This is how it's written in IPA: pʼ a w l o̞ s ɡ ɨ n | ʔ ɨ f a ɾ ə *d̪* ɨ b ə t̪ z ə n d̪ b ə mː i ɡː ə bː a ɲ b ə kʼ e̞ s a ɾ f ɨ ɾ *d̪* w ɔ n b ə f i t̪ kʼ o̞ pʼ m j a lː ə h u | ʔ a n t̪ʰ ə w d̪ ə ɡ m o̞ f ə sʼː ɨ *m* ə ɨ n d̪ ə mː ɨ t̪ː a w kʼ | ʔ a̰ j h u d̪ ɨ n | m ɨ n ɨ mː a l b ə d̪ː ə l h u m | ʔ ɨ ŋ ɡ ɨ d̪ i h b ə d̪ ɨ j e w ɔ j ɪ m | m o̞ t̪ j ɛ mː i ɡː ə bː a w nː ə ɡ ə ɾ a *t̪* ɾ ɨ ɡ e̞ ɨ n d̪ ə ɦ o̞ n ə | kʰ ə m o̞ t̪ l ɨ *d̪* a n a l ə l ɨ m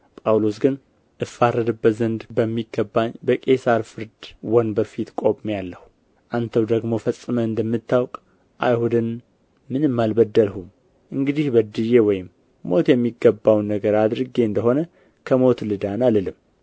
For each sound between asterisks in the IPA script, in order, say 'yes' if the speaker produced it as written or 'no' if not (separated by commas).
yes, yes, yes, no, yes